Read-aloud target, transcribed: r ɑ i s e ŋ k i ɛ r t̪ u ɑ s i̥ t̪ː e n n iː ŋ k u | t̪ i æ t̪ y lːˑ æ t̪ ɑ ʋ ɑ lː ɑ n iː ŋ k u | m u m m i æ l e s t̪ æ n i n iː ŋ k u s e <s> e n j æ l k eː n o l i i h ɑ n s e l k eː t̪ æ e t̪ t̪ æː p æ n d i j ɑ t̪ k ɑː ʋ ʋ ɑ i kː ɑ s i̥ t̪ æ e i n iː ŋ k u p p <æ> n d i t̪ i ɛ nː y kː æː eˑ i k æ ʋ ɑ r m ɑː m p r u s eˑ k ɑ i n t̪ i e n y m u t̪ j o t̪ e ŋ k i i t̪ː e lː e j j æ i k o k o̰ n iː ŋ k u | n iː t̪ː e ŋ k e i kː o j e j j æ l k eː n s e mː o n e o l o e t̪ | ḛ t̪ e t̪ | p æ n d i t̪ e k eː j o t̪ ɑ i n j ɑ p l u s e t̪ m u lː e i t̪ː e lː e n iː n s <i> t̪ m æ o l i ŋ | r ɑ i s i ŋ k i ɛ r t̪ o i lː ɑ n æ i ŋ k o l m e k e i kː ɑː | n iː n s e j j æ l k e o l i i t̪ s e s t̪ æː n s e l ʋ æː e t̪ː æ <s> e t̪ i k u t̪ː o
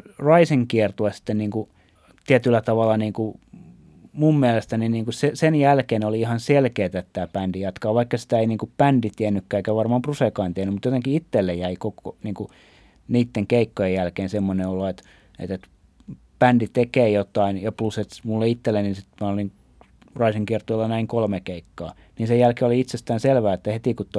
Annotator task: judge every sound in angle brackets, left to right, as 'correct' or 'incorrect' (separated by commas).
correct, correct, correct, incorrect